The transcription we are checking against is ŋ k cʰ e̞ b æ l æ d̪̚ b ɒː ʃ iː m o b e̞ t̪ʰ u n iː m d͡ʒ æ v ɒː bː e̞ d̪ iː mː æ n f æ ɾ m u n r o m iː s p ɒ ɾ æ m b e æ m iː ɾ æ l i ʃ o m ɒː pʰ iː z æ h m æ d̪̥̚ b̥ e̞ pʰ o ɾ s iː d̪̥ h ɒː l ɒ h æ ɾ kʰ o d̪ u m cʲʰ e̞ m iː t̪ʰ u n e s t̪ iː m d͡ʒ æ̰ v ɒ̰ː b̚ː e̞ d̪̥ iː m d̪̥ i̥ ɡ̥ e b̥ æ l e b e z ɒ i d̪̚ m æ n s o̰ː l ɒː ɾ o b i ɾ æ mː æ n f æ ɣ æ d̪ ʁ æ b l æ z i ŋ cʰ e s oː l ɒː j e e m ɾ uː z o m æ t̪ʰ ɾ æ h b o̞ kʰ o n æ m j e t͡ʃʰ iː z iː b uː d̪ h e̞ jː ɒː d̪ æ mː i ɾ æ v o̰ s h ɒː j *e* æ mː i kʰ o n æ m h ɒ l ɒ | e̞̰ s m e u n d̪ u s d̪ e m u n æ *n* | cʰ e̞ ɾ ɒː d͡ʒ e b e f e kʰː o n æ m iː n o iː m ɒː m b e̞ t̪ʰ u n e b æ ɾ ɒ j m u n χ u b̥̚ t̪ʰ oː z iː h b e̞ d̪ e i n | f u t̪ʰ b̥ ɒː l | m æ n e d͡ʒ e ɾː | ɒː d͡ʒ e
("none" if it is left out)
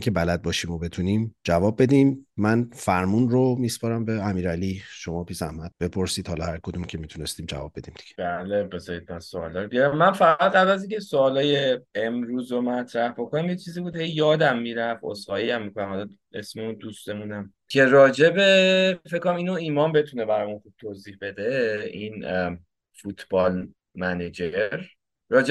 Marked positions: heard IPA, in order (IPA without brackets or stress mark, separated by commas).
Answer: i, m